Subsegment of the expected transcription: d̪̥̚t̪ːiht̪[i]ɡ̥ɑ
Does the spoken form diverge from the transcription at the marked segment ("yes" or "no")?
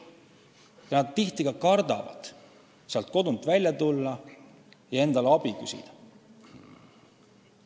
no